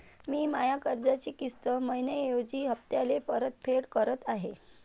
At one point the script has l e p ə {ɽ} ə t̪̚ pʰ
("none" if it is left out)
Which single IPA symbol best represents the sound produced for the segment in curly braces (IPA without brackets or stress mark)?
ɾ